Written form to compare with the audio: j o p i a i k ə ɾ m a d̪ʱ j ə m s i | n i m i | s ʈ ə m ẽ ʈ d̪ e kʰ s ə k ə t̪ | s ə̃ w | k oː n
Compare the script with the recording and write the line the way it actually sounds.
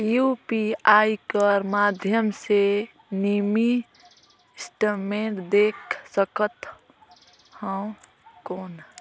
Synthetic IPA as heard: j u p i a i k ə ɾ m a d̪ʱ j ə m s e | n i m i | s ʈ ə m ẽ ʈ d̪ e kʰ s ə k ə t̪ | h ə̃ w | k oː n